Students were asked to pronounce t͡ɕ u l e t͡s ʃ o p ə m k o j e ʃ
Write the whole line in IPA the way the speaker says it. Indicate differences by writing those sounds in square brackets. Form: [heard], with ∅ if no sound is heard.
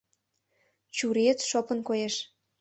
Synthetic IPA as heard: t͡ɕ u [ɾ] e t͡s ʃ o p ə [n] k o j e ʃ